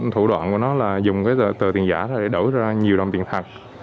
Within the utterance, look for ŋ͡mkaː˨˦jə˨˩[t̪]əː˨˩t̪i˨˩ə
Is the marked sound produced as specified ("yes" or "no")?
yes